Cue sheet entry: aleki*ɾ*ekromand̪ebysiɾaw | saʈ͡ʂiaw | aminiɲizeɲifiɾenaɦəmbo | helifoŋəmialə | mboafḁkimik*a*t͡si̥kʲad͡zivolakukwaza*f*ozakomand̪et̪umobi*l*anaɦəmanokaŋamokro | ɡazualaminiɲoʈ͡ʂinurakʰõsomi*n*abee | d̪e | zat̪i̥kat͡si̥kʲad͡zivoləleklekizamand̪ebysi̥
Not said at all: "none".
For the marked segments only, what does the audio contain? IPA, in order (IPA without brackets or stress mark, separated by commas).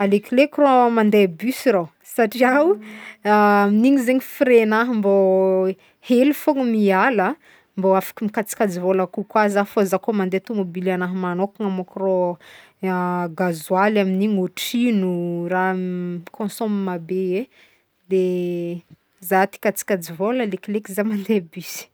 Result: l, a, f, l, m